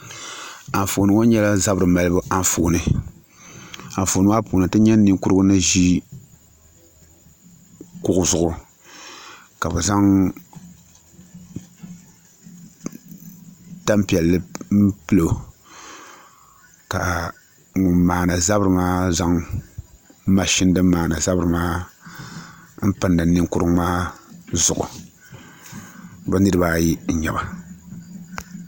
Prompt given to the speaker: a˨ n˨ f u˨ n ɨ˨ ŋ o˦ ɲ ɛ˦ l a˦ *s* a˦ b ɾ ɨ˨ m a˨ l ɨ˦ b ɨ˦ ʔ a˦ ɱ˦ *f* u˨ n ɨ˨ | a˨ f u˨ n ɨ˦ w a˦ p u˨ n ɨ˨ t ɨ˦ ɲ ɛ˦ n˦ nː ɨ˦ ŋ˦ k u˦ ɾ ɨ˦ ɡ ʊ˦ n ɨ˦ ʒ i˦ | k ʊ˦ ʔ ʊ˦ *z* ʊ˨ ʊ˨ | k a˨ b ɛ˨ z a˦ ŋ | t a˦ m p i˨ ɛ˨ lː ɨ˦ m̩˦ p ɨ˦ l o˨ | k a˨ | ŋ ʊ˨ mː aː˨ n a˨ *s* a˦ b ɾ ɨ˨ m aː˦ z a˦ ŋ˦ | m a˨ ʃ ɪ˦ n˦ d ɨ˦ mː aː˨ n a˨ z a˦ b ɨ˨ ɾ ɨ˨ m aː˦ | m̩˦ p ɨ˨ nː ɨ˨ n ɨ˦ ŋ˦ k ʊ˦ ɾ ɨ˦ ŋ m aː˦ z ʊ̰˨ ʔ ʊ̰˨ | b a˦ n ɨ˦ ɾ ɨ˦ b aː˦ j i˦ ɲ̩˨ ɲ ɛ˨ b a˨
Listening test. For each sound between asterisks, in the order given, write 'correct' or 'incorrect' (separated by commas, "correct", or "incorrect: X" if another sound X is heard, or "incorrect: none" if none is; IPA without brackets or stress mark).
incorrect: z, correct, correct, incorrect: z